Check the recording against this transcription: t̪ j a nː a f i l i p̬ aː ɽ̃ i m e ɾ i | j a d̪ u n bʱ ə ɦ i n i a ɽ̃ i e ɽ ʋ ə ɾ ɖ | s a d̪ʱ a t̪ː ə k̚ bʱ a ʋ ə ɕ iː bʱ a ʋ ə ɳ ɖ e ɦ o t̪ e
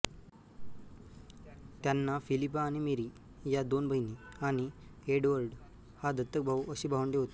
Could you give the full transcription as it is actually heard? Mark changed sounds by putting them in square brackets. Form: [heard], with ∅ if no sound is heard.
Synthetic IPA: t̪ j a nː a f i l i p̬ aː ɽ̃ i m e ɾ i | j a d̪ [o] n bʱ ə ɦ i n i a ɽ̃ i e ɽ ʋ ə ɾ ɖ | [h] a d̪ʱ [ə] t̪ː ə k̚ bʱ a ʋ ə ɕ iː bʱ a ʋ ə ɳ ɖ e ɦ o t̪ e